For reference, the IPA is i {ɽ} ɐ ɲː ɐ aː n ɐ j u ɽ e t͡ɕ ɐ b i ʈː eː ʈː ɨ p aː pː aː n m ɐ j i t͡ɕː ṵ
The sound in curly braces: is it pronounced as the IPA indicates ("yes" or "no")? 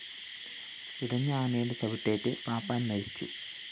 yes